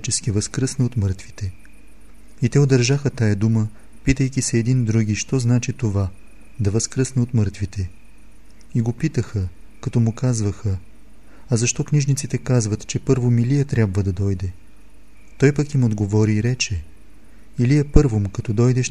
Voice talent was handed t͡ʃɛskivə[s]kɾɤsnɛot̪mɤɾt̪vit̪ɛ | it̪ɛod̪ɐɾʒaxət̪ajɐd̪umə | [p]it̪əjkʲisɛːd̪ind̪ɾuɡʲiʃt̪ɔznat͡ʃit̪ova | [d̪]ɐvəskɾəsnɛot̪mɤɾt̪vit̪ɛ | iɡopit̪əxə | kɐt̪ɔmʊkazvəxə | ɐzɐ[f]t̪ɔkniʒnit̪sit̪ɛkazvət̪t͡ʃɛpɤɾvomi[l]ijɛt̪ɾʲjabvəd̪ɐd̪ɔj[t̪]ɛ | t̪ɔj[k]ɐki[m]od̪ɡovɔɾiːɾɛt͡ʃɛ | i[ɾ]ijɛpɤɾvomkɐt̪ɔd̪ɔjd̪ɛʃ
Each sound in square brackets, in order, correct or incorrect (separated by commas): correct, correct, correct, incorrect, correct, incorrect, incorrect, correct, incorrect